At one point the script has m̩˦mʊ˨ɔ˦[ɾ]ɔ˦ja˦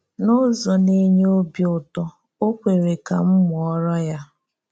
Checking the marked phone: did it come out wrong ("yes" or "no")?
no